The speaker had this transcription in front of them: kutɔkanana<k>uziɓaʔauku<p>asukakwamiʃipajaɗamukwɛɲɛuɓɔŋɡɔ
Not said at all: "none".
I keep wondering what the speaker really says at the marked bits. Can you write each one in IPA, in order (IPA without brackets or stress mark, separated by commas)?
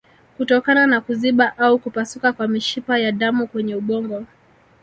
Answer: k, p